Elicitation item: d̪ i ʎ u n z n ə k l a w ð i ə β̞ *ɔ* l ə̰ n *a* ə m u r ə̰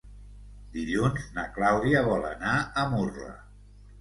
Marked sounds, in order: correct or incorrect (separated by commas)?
correct, correct